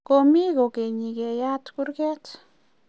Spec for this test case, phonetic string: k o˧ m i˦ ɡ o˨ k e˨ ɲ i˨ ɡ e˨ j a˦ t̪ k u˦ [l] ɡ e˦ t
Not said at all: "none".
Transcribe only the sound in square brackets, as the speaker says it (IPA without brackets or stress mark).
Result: ɾ